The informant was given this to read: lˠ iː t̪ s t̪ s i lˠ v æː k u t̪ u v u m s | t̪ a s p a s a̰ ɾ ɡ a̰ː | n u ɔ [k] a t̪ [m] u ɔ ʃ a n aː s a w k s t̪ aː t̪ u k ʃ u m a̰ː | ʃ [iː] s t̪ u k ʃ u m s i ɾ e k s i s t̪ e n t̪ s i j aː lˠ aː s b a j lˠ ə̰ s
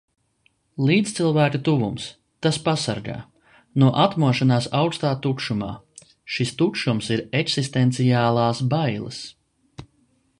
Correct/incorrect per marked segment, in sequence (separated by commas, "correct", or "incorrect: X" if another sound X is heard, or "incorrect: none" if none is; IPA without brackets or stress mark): incorrect: ʔ, correct, incorrect: i